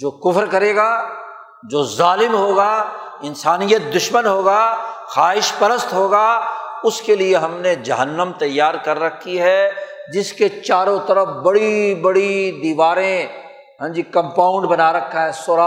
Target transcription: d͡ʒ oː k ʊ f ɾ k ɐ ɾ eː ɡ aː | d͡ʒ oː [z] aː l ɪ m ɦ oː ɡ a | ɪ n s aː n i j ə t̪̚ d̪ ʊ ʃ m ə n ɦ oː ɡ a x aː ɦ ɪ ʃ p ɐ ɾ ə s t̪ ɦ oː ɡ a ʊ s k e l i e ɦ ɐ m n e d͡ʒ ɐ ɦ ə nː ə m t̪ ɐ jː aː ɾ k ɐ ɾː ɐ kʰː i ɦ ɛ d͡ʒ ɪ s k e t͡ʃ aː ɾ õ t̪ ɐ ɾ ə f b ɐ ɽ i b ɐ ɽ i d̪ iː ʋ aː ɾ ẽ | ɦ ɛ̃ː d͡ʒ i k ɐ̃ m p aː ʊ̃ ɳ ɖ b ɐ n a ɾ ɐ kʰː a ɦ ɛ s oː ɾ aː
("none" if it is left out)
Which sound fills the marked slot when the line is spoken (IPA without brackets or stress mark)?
z